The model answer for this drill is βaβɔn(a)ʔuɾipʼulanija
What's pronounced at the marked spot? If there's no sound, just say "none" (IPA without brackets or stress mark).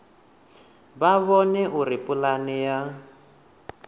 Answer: ɛ